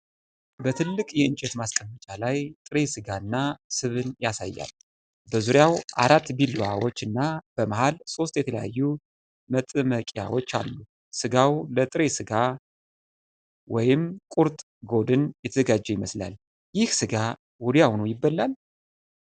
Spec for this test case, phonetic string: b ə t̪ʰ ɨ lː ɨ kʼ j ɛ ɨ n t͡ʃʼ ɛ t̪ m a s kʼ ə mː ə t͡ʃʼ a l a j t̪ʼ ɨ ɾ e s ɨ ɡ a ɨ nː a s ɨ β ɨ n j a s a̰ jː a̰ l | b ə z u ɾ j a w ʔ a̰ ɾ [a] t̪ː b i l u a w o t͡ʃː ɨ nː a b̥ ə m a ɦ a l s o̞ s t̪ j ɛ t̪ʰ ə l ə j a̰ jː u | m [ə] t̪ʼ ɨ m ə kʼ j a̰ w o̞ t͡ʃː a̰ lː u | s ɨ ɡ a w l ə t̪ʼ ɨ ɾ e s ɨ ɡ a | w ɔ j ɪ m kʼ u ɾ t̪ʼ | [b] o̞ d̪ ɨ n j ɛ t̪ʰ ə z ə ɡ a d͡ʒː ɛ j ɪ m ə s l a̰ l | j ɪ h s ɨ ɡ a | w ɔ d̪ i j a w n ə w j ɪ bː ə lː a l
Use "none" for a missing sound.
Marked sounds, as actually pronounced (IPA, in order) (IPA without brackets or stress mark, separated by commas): a, ə, ɡ